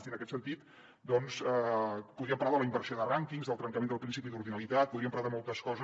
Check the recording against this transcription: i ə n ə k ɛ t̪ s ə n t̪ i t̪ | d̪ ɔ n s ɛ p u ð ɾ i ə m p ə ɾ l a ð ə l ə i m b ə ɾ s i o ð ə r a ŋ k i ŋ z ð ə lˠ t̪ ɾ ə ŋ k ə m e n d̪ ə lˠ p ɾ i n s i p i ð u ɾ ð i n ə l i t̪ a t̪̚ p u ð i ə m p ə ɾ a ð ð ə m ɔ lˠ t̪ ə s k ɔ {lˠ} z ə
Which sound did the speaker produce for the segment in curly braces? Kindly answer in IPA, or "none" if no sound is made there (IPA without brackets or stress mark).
none